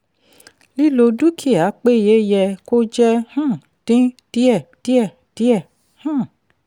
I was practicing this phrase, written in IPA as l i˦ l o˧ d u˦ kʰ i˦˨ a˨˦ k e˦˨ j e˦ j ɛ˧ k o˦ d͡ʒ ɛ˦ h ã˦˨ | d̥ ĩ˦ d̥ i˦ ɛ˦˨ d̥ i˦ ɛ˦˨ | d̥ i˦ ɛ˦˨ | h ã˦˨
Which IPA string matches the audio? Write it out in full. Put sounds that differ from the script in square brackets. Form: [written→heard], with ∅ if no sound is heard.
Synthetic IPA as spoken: l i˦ l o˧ d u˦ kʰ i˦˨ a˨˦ [k→k͡p] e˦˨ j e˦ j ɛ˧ k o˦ d͡ʒ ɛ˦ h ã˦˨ | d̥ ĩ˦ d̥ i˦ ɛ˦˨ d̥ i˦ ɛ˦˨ | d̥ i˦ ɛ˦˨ | h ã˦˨